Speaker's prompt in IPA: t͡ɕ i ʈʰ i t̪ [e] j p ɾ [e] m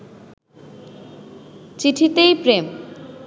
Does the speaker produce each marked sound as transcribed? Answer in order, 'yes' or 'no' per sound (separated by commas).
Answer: yes, yes